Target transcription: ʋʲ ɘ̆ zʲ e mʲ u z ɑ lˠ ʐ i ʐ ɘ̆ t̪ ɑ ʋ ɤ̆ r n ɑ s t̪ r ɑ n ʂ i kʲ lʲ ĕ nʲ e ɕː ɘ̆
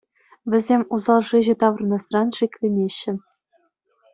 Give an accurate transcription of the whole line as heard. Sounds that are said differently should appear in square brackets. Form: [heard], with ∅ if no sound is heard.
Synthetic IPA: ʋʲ ɘ̆ zʲ e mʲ u z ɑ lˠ ʐ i [ʑ] ɘ̆ t̪ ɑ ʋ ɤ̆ r n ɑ s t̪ r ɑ n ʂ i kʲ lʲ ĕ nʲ e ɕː ɘ̆